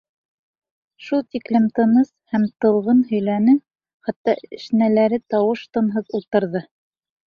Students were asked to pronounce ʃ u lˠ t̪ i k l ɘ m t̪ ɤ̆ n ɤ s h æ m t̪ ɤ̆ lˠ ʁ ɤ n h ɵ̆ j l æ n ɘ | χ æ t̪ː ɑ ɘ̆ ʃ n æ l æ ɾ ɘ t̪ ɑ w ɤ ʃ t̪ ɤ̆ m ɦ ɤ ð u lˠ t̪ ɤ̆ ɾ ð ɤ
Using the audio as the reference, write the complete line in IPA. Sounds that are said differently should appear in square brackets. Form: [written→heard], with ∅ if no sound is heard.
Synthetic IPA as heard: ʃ u lˠ t̪ i k l ɘ m t̪ ɤ̆ n ɤ s h æ m t̪ ɤ̆ lˠ ʁ ɤ n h ɵ̆ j l æ n ɘ | χ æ t̪ː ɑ ɘ̆ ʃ n æ l æ ɾ ɘ t̪ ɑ w ɤ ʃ t̪ ɤ̆ [m→n] ɦ ɤ ð u lˠ t̪ ɤ̆ ɾ ð ɤ